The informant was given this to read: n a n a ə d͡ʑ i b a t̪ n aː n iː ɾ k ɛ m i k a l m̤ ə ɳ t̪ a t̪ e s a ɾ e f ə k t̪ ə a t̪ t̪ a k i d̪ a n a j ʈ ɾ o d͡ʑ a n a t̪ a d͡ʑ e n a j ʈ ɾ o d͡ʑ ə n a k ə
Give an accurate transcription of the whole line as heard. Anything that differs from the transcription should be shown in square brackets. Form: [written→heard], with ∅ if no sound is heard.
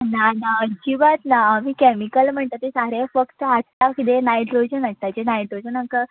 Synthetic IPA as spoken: n a n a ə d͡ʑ i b a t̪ n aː [n→m] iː [ɾ→∅] k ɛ m i k [a→ə] l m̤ ə ɳ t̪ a t̪ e s a ɾ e f ə k t̪ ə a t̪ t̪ a k i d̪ [a→e] n a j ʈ ɾ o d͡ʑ [a→ə] n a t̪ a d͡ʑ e n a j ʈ ɾ o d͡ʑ ə n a k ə